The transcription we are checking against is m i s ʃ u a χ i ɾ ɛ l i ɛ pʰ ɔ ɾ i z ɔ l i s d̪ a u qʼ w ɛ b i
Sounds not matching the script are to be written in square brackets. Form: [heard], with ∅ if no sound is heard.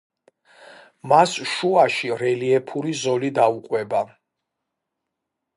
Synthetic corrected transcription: m [a] s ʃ u a [ʃ] i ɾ ɛ l i ɛ pʰ [u] ɾ i z ɔ l i [∅] d̪ a u qʼ w ɛ b [a]